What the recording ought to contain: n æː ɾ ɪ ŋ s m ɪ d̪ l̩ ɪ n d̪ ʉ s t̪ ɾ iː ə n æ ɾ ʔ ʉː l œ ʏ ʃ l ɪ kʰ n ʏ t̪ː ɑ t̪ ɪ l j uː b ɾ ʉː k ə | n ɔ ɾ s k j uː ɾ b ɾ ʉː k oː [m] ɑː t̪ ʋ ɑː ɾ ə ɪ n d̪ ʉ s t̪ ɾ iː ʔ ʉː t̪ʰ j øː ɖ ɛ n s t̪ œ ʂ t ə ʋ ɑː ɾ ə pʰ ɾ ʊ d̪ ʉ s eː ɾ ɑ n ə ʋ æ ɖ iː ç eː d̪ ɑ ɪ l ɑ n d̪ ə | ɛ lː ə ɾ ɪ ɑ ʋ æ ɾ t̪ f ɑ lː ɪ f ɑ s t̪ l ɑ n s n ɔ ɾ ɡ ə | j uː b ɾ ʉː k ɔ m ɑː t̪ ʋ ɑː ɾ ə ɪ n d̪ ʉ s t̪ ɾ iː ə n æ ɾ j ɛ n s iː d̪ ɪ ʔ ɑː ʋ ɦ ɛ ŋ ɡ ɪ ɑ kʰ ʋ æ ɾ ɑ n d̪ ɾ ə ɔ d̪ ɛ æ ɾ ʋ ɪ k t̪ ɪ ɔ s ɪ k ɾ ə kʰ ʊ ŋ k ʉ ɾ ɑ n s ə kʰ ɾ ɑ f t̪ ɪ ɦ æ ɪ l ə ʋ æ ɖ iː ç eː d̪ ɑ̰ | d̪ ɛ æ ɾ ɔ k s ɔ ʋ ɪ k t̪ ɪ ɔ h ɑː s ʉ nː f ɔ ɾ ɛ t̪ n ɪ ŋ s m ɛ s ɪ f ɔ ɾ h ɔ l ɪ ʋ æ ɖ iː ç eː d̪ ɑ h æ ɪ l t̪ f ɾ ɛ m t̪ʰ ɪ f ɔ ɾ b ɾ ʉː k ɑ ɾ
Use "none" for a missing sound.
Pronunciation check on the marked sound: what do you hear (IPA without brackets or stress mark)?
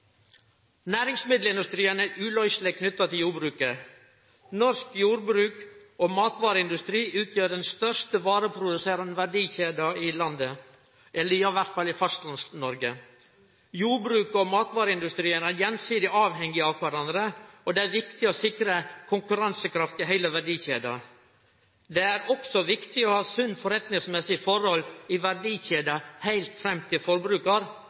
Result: m